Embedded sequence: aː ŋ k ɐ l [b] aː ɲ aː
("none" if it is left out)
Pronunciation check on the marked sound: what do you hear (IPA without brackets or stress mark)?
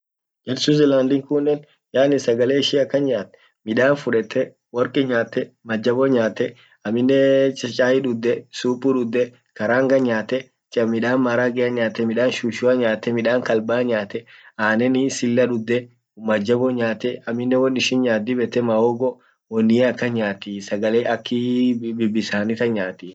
b